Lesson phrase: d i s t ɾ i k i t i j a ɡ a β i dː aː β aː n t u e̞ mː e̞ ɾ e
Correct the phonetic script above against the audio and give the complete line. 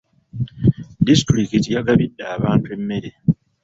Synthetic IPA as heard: d i s t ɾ i k i t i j a ɡ a β i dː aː β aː n t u e̞ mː e̞ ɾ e